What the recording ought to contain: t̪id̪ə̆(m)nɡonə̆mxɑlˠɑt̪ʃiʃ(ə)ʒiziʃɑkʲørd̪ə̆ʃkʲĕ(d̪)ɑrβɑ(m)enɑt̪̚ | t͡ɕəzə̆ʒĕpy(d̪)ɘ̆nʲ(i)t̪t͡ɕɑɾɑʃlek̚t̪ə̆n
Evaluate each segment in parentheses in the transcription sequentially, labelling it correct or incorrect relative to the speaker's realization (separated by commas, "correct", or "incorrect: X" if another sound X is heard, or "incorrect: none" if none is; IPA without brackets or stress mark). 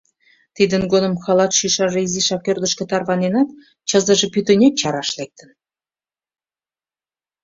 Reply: incorrect: none, incorrect: ɑ, incorrect: t̪, incorrect: n, incorrect: t̪, incorrect: e